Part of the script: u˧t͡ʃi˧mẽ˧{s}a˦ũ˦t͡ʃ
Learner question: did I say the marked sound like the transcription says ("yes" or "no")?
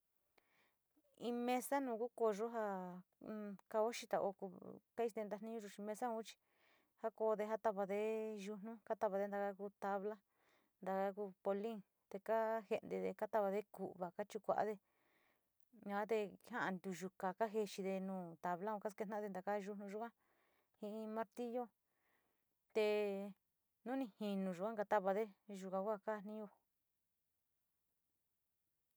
yes